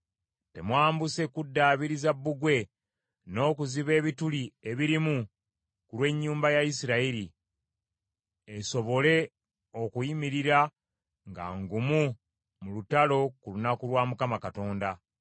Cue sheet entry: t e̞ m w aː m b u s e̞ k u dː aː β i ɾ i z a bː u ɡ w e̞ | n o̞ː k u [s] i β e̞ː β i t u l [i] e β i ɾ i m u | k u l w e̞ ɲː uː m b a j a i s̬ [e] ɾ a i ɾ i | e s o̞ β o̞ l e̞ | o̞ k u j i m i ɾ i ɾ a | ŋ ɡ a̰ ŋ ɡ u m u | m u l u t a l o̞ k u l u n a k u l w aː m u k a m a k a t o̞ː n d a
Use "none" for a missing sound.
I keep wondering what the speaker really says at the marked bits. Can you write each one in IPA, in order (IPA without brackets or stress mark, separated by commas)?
z, i, i